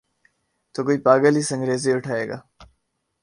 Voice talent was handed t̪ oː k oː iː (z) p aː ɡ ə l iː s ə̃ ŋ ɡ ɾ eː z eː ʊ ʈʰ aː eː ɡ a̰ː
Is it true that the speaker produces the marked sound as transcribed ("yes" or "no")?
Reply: no